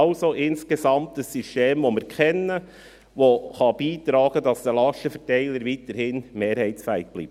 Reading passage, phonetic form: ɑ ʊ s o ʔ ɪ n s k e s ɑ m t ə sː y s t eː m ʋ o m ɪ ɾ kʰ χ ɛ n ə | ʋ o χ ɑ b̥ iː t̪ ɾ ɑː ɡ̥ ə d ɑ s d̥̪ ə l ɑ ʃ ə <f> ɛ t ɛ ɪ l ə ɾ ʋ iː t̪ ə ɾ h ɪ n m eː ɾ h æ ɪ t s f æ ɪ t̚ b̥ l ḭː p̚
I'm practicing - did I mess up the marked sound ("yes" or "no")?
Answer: no